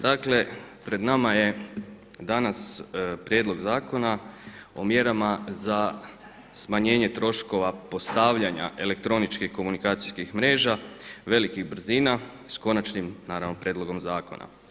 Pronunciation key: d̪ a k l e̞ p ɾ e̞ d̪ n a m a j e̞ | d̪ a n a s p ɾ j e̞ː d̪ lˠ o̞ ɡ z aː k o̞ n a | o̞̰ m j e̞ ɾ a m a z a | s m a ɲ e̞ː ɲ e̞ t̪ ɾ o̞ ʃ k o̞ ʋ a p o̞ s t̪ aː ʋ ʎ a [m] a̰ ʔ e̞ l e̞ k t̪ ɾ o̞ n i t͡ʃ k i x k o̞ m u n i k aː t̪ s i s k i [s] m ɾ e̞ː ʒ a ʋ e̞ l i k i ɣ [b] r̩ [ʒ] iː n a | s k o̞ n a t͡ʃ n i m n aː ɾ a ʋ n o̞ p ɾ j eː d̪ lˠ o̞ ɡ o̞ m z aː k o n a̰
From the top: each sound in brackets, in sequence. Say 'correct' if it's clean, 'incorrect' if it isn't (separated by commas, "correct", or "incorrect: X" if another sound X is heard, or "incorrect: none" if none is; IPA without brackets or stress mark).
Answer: incorrect: ɲ, incorrect: x, correct, incorrect: z